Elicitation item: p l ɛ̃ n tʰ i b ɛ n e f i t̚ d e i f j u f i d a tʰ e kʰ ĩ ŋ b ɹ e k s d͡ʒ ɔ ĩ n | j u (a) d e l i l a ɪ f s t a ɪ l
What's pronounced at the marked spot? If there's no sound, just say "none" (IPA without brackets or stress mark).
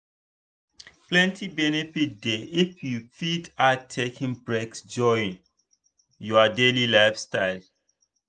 a